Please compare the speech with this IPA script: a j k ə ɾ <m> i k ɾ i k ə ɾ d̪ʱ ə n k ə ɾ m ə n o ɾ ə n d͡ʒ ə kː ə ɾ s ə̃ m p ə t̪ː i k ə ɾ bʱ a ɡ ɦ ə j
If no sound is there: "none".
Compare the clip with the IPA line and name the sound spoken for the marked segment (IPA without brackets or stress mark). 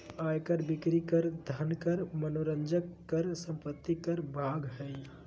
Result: b